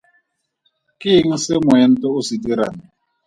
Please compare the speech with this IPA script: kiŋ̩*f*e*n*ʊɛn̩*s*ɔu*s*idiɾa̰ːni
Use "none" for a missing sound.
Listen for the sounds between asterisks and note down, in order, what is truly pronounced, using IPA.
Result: s, m, t, s

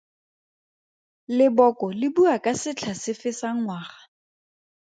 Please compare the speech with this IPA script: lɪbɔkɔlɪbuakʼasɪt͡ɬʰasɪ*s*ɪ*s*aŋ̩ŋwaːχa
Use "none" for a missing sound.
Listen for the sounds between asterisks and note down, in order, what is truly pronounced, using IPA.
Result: f, s

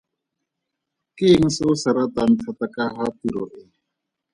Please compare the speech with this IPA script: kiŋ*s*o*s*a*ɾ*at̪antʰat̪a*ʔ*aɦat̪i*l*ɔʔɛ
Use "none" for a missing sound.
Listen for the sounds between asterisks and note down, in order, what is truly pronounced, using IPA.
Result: s, s, ɾ, k, ɾ

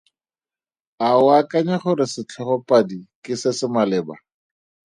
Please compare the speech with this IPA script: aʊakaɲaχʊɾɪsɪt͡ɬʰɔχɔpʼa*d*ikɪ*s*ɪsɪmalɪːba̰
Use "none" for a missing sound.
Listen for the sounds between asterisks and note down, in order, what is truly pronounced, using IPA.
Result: d, s

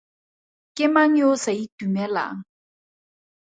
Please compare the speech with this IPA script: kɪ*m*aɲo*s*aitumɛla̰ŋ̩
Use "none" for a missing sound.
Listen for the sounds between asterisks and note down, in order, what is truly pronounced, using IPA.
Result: m, s

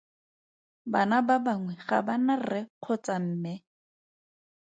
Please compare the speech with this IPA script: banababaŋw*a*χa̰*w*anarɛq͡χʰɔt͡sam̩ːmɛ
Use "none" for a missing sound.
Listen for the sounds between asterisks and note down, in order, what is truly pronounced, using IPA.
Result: ɛ, b

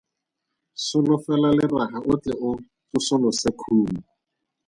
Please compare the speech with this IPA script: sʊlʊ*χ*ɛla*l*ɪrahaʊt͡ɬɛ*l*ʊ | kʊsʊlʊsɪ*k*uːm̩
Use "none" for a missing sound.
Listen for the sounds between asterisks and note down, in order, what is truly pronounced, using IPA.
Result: f, l, none, kʰ

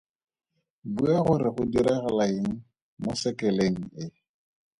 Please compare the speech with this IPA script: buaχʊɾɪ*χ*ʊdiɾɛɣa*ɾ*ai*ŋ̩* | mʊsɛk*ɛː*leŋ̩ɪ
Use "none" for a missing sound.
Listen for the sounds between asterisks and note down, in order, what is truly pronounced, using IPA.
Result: χ, l, ŋ̩, ɛ

